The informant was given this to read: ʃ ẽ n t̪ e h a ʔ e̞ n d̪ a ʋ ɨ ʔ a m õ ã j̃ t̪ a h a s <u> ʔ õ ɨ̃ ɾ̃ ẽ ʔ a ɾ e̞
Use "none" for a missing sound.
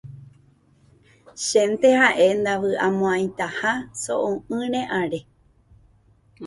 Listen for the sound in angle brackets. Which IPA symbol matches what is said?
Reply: o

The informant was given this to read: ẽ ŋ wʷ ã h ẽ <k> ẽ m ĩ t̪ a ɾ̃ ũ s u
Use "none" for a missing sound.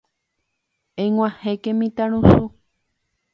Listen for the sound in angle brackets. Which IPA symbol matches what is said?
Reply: k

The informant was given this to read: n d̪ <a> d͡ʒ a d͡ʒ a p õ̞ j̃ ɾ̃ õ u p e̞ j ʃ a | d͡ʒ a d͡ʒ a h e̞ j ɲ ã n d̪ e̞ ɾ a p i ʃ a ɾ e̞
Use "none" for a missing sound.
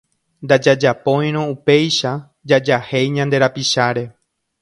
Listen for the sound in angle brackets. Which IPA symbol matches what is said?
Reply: a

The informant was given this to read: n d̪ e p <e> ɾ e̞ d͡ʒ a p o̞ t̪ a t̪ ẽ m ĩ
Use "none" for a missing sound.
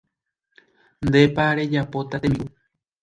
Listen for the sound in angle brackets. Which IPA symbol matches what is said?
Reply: a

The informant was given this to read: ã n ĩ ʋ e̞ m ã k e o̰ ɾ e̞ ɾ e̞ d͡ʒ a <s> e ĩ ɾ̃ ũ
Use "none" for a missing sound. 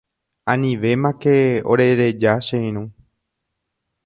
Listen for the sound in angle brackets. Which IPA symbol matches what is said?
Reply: ʃ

